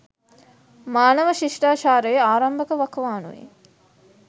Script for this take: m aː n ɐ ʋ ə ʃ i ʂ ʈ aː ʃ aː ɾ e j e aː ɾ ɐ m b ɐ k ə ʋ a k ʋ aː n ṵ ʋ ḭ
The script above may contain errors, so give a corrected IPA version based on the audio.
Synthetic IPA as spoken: m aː n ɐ ʋ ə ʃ i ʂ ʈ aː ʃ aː ɾ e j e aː ɾ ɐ m b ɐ k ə ʋ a k ʋ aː n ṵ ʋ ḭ